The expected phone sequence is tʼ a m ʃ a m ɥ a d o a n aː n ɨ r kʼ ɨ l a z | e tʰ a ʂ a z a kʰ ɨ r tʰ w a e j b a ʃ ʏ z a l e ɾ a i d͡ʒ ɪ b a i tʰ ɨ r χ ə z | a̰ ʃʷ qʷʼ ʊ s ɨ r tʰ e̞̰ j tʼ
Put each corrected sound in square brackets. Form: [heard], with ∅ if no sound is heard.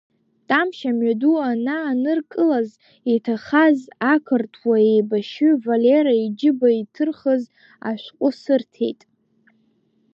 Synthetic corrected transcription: tʼ a m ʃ a m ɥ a d [u] a n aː n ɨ r kʼ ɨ l a z | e tʰ a [χ] a z a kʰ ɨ r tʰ w a e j b a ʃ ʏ [v] a l e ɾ a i d͡ʒ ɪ b a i tʰ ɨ r χ ə z | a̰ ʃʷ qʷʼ ʊ s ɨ r tʰ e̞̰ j tʼ